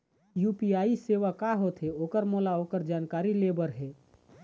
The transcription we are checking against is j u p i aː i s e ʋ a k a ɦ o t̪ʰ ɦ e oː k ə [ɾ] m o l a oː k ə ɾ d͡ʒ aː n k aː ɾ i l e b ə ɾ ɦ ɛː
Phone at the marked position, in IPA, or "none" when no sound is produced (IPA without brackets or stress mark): ɾ